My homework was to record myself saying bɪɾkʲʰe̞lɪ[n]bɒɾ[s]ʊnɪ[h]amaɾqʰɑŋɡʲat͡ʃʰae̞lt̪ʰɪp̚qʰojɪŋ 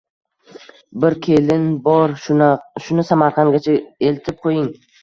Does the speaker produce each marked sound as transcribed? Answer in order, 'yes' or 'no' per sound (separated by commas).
yes, no, no